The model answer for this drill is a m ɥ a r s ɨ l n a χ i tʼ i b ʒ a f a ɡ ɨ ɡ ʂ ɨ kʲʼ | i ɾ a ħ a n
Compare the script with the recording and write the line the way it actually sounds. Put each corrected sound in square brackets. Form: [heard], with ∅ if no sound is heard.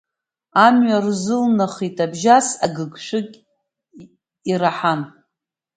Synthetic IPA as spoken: a m ɥ a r [z] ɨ l n a χ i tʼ [a] b ʒ a [s] a ɡ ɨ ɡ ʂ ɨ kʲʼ | i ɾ a ħ a n